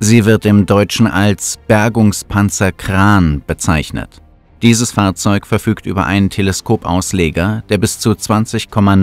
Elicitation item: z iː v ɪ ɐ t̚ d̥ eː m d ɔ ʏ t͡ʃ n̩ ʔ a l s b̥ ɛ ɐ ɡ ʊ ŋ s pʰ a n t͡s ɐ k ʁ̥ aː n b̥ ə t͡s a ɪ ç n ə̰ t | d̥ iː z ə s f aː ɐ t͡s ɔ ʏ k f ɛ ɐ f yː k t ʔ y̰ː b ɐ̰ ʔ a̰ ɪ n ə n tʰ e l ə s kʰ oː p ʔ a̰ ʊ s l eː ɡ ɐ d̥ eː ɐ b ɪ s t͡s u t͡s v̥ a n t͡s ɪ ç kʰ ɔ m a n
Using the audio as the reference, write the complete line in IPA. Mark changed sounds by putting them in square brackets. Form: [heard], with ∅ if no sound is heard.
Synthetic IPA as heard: z iː v ɪ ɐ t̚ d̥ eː m d ɔ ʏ t͡ʃ n̩ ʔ a l s b̥ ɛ ɐ ɡ ʊ ŋ s pʰ a n t͡s ɐ k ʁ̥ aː n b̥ ə t͡s a ɪ ç n ə̰ t | d̥ iː z ə s f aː ɐ t͡s ɔ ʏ k f ɛ ɐ f yː k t ʔ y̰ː b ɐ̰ ʔ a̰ ɪ n ə n tʰ e l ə s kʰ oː p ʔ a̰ ʊ s l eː ɡ ɐ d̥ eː ɐ b ɪ s t͡s u t͡s v̥ a n t͡s ɪ ç kʰ ɔ m a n

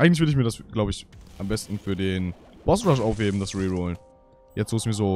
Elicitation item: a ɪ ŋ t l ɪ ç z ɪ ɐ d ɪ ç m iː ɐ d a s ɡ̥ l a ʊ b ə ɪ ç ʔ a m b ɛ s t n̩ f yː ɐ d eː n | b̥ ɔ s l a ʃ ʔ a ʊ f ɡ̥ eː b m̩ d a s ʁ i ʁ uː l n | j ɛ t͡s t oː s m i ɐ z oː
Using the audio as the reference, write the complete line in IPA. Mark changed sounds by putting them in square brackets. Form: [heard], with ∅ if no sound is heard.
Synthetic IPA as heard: a ɪ ŋ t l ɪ ç [v] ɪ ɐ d ɪ ç m iː ɐ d a s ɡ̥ l a ʊ b ə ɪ ç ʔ a m b ɛ s t n̩ f yː ɐ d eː n | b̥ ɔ s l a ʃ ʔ a ʊ f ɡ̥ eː b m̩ d a s ʁ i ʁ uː l n | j ɛ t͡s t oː s m [iː] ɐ z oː

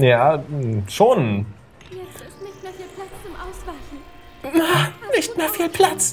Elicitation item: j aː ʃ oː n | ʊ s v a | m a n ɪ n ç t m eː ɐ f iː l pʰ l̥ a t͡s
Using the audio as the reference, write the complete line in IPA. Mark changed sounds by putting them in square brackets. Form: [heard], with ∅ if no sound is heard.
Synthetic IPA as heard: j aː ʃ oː n | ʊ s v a | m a n ɪ [∅] ç t m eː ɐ f iː l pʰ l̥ a t͡s

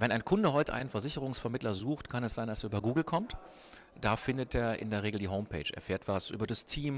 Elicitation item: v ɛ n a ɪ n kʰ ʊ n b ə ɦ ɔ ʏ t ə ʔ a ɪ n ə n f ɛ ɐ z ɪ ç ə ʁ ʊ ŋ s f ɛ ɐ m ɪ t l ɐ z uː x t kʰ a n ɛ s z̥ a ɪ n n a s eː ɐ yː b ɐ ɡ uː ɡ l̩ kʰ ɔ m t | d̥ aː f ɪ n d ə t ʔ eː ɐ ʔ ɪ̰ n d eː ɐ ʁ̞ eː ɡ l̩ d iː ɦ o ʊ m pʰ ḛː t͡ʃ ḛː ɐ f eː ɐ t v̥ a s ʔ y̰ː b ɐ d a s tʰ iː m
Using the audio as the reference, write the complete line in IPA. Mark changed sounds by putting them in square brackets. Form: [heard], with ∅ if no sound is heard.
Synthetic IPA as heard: v ɛ n a ɪ n kʰ ʊ n [d] ə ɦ ɔ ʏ t ə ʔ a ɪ n ə n f ɛ ɐ z ɪ ç ə ʁ ʊ ŋ s f ɛ ɐ m ɪ t l ɐ z uː x t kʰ a n ɛ s z̥ a ɪ n [d] a s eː ɐ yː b ɐ ɡ uː ɡ l̩ kʰ ɔ m t | d̥ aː f ɪ n d ə t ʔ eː ɐ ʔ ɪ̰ n d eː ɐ ʁ̞ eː ɡ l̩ d iː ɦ o ʊ m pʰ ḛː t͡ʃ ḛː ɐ f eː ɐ t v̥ a s ʔ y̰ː b ɐ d a s tʰ iː m

